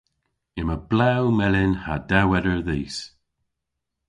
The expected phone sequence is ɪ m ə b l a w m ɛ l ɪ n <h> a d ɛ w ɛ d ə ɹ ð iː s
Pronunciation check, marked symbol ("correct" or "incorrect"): correct